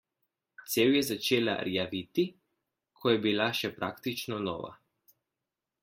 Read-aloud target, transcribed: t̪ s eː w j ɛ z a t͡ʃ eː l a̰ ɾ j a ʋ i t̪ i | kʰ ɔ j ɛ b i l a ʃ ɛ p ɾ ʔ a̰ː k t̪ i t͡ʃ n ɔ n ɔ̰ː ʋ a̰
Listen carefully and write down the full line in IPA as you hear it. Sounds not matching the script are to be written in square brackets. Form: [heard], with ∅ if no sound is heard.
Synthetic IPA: t̪ s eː w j ɛ z a t͡ʃ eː l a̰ ɾ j a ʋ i t̪ i | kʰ ɔ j ɛ b i l a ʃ ɛ p ɾ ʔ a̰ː k t̪ i t͡ʃ n ɔ n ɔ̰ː ʋ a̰